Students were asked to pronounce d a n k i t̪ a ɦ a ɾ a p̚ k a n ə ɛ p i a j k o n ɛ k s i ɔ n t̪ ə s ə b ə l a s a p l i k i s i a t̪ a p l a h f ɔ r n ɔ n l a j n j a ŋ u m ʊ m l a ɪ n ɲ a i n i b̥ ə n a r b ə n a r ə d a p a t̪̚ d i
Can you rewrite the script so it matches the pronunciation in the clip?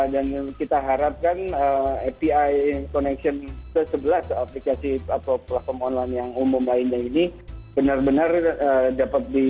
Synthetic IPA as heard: d a n k i t̪ a ɦ a ɾ a p̚ k a n ə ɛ p i a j k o n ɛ k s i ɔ n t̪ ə s ə b ə l a s a p l i k a s i a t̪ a p l a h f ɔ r m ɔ n l a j n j a ŋ u m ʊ m l a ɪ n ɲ a i n i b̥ ə n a r b ə n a r ə d a p a t̪̚ d i